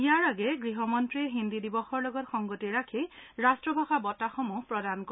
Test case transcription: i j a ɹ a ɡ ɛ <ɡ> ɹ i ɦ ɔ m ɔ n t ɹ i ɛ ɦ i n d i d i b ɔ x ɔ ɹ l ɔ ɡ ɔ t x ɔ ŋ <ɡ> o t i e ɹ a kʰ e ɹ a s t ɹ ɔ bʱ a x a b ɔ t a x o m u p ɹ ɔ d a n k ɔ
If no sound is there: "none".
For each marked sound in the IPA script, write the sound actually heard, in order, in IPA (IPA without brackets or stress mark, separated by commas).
ɡ, ɡ